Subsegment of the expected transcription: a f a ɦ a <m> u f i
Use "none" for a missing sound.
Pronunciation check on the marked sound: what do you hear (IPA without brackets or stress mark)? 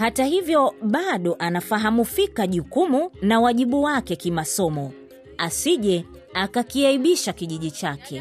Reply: m